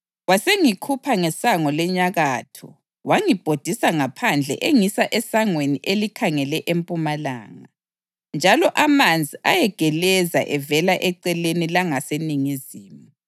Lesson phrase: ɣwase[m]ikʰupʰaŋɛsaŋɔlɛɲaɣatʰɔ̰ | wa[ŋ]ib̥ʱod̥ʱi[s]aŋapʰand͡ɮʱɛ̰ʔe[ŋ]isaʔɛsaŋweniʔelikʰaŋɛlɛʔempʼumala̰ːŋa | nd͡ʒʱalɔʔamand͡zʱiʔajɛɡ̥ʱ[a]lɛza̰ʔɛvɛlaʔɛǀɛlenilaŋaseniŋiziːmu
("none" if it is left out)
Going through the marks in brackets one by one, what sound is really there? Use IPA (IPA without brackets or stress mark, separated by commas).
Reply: ŋ, ŋ, s, ŋ, ɛ